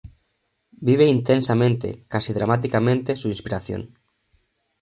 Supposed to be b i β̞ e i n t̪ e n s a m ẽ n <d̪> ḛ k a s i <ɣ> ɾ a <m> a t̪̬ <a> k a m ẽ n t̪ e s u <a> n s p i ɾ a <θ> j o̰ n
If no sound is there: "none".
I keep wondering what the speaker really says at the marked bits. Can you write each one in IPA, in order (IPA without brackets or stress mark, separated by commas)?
t̪, ð, m, i, i, θ